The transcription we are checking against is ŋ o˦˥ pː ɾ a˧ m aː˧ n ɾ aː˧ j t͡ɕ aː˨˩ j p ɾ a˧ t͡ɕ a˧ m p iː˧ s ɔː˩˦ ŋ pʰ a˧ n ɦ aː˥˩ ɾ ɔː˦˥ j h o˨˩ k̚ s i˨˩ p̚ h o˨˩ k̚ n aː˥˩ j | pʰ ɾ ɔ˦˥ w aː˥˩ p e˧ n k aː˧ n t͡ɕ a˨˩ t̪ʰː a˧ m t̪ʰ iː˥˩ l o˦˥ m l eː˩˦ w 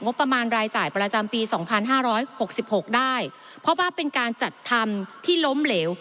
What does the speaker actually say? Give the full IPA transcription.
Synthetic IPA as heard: ŋ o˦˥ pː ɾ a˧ m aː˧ n ɾ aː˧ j t͡ɕ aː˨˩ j p ɾ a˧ t͡ɕ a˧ m p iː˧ s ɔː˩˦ ŋ pʰ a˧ n ɦ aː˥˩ ɾ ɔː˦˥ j h o˨˩ k̚ s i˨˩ p̚ h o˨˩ k̚ d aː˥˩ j | pʰ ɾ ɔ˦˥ w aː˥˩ p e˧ n k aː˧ n t͡ɕ a˨˩ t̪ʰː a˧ m t̪ʰ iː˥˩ l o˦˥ m l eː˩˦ w